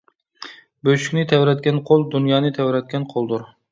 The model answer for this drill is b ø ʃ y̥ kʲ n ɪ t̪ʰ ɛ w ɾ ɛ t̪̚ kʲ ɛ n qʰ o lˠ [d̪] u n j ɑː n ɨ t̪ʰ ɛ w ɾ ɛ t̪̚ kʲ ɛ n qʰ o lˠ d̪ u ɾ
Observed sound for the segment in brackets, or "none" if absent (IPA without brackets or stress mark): d̪